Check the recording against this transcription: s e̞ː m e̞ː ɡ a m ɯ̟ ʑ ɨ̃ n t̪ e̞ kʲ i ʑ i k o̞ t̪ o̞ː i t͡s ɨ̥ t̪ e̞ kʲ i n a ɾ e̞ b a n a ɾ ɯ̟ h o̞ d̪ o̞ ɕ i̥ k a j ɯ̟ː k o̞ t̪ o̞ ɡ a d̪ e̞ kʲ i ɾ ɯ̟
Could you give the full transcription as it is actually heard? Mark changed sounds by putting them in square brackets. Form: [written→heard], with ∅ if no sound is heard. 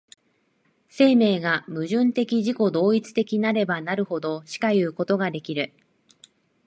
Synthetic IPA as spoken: s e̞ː m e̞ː ɡ a m ɯ̟ ʑ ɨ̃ n t̪ e̞ kʲ i ʑ i k o̞ [t̪→d̪] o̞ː i t͡s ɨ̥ t̪ e̞ kʲ i n a ɾ e̞ b a n a ɾ ɯ̟ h o̞ d̪ o̞ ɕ i̥ k a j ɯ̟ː k o̞ t̪ o̞ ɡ a d̪ e̞ kʲ i ɾ ɯ̟